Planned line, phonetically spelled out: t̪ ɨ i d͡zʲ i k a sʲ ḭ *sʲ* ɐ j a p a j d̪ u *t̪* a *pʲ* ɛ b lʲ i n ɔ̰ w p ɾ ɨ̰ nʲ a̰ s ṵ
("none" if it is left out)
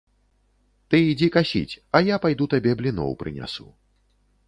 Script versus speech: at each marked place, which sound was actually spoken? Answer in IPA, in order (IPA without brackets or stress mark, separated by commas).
t͡sʲ, t̪, bʲ